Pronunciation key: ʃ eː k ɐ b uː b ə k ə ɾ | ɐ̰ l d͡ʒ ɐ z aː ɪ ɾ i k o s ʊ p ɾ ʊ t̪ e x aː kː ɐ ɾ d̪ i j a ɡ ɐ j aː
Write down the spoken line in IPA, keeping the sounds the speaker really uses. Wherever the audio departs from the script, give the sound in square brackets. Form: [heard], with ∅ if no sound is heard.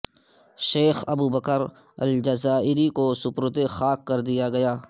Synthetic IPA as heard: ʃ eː [x] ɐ b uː b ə k ə ɾ | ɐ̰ l d͡ʒ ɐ z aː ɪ ɾ i k o s ʊ p ɾ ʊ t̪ e x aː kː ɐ ɾ d̪ i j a ɡ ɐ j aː